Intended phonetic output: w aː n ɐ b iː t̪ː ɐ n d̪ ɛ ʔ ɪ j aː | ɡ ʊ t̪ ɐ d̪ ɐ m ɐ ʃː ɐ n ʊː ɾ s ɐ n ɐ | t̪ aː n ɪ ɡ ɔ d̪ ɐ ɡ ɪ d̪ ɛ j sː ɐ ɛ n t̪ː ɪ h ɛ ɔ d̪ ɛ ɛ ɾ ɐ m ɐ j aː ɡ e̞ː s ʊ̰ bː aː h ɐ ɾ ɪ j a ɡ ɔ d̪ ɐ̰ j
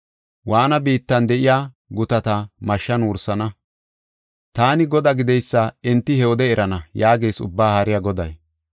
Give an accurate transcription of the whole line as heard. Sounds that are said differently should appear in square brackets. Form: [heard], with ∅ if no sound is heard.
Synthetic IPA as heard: w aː n ɐ b iː t̪ː ɐ n d̪ ɛ ʔ ɪ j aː | ɡ ʊ t̪ ɐ [t̪] ɐ m ɐ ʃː ɐ n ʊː ɾ s ɐ n ɐ | t̪ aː n ɪ ɡ ɔ d̪ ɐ ɡ ɪ d̪ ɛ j sː ɐ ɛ n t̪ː ɪ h ɛ ɔ d̪ ɛ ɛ ɾ ɐ [n] ɐ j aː ɡ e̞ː s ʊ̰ bː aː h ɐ ɾ ɪ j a ɡ ɔ d̪ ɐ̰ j